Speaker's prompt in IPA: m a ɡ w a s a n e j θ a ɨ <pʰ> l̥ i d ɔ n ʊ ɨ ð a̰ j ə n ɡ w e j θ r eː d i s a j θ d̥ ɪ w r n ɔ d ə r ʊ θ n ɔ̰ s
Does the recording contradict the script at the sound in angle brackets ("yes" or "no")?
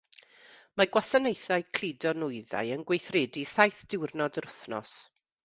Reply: yes